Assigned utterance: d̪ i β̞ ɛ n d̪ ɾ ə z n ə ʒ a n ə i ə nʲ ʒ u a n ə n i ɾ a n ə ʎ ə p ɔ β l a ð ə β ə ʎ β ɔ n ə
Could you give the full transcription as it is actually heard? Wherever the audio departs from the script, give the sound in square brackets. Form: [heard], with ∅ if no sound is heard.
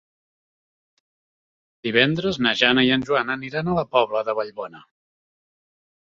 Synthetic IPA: d̪ i β̞ ɛ n d̪ ɾ ə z n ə ʒ a n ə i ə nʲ ʒ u a n ə n i ɾ a n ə [l] ə p ɔ β l [ə] ð ə β ə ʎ β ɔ n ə